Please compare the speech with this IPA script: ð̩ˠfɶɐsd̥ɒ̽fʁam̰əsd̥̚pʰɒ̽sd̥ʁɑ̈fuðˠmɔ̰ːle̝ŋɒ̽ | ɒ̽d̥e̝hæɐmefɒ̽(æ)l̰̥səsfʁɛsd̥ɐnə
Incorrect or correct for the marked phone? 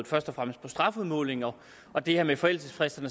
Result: incorrect: e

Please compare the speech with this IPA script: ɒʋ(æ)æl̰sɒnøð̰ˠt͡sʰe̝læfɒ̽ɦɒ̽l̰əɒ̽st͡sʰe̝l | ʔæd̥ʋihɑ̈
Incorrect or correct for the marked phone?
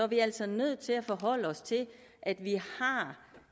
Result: incorrect: i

